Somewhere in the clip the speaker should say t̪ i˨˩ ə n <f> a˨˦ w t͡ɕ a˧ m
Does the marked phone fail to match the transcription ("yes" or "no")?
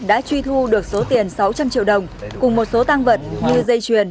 yes